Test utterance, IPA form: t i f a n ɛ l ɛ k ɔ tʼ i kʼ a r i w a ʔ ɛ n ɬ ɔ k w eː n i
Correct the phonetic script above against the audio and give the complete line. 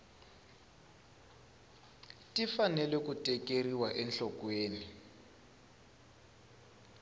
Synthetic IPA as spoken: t i f a n ɛ l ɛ k u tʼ ɛ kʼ e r i w a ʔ ɛ n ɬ ɔ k w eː n i